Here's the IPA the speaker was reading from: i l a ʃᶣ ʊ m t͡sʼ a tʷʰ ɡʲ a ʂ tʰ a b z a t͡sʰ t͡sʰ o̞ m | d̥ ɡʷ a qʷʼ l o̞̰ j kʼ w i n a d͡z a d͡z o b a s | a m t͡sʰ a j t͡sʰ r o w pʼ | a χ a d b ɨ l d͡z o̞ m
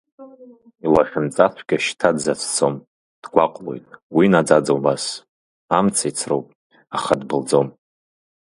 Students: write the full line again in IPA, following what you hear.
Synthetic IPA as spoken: i l a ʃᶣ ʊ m t͡sʼ a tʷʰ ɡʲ a ʃ tʰ a d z a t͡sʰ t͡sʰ o̞ m | d̥ ɡʷ a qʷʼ l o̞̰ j tʼ w i n a d͡z a d͡z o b a s | a m t͡sʰ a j t͡sʰ r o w pʼ | a χ a d b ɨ l d͡z o̞ m